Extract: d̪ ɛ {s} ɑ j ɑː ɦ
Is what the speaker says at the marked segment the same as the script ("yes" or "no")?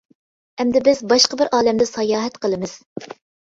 yes